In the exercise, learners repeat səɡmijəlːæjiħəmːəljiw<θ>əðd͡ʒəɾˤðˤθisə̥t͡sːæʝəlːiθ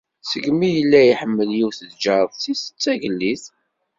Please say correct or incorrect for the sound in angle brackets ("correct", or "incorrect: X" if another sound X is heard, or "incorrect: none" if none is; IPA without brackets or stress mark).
correct